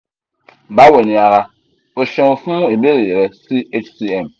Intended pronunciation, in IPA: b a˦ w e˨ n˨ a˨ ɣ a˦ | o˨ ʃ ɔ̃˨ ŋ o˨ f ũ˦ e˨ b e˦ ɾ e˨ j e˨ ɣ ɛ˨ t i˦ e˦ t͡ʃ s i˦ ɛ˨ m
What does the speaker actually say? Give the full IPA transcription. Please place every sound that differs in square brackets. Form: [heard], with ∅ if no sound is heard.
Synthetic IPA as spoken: b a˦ w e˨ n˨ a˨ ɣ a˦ | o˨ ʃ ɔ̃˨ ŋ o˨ f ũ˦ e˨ b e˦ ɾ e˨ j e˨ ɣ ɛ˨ [s] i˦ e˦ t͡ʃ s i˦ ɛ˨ m